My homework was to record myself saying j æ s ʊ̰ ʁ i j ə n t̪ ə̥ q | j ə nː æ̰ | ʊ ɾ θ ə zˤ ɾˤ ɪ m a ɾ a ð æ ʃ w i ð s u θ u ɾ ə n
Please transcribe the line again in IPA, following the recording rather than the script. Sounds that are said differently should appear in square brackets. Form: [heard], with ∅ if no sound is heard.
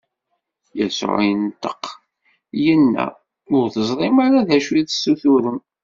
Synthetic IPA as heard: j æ s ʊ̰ [ʕ] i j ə n t̪ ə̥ q | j ə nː æ̰ | ʊ ɾ θ ə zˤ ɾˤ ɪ m a ɾ a ð æ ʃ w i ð s u θ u ɾ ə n